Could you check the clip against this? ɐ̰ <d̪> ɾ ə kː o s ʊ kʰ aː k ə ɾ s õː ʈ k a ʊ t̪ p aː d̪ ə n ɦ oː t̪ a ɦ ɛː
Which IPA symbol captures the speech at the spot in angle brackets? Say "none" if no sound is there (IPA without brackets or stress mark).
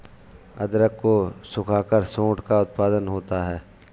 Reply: d̪